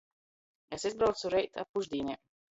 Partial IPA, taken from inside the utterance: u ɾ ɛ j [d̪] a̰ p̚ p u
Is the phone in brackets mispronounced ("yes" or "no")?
yes